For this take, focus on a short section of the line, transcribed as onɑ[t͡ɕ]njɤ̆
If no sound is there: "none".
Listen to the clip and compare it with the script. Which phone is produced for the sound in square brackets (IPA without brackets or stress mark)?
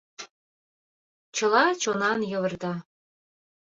none